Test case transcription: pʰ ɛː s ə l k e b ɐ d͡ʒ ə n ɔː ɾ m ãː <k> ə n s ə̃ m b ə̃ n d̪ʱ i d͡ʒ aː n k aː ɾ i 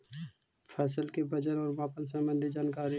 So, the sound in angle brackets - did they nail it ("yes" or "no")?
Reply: no